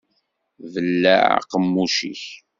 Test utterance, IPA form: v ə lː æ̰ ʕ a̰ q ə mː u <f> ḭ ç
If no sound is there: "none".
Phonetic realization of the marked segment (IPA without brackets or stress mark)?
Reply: ʃ